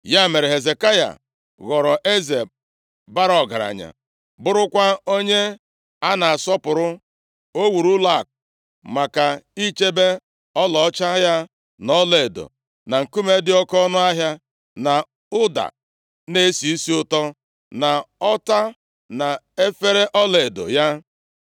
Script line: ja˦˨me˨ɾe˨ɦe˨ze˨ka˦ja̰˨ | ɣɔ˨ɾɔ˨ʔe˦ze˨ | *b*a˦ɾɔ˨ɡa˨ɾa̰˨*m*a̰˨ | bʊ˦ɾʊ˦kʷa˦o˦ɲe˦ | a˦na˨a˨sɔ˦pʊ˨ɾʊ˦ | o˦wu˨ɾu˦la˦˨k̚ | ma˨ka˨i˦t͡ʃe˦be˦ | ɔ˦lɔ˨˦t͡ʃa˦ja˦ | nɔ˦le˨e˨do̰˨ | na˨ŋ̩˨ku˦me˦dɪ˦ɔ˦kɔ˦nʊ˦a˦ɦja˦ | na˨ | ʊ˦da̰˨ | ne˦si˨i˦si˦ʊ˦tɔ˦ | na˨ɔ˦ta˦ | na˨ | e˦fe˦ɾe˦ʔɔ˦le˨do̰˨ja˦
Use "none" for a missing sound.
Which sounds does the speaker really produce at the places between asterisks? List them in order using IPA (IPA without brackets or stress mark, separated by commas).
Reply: b, ɲ